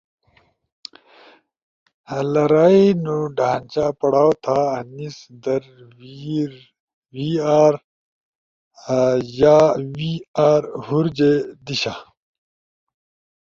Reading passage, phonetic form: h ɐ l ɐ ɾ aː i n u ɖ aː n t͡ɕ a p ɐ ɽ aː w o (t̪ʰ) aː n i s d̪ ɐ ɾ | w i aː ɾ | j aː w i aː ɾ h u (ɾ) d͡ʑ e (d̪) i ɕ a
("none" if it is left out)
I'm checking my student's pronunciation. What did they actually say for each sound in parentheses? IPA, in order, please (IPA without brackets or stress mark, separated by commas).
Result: t̪ʰ, ɾ, d̪